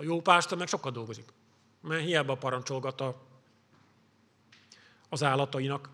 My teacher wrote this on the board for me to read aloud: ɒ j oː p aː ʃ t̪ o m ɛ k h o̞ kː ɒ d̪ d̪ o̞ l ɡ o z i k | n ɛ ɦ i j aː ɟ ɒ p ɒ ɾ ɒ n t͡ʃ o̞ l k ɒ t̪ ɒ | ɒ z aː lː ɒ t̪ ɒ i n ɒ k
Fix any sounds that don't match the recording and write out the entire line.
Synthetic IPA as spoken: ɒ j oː p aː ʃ t̪ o m ɛ k ʃ o̞ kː ɒ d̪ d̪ o̞ l ɡ o z i k | m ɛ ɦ i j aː b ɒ p ɒ ɾ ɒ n t͡ʃ o̞ l ɡ ɒ t̪ ɒ | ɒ z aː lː ɒ t̪ ɒ i n ɒ k